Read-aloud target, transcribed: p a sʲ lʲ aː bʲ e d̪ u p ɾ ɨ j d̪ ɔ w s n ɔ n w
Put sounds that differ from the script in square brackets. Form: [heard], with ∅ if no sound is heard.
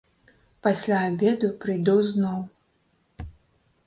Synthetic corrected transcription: p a sʲ lʲ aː bʲ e d̪ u p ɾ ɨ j d̪ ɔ w [z] n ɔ [∅] w